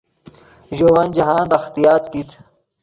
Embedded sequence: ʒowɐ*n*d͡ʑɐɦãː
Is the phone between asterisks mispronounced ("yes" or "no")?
no